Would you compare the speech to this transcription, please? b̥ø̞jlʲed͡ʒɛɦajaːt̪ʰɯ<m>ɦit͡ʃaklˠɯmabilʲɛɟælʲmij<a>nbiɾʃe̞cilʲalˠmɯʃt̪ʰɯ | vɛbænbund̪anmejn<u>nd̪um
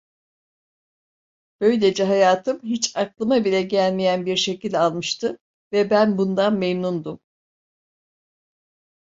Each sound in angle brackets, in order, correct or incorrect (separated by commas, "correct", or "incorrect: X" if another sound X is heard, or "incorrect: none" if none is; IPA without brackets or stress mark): correct, incorrect: æ, correct